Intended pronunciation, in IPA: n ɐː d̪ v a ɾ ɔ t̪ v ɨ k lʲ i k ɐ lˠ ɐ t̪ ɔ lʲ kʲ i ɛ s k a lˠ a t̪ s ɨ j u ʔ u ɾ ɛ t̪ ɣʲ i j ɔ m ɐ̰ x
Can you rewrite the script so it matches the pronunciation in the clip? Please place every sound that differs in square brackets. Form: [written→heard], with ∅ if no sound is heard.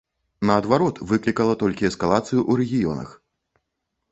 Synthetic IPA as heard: n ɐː d̪ v a ɾ ɔ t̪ v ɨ k lʲ i k ɐ lˠ ɐ t̪ ɔ lʲ kʲ i ɛ s k a lˠ a t̪ s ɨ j u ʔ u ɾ ɛ [t̪→∅] ɣʲ i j ɔ [m→n] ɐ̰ x